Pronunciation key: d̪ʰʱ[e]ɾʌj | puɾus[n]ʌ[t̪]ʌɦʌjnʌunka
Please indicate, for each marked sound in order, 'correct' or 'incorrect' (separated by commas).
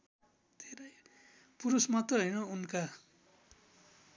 correct, incorrect, correct